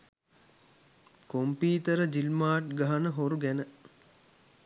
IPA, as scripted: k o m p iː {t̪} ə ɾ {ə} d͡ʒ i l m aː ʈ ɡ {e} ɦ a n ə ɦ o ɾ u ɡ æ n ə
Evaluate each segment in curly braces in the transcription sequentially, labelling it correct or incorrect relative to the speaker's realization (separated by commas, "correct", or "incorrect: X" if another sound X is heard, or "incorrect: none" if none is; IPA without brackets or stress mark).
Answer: correct, correct, incorrect: a